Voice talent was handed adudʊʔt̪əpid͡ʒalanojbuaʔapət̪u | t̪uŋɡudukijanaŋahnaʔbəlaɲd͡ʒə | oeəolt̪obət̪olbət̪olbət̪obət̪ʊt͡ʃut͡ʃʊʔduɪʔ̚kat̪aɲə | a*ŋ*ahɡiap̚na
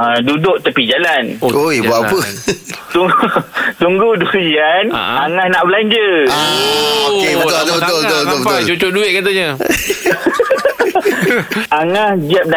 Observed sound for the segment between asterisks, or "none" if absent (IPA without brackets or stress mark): ŋ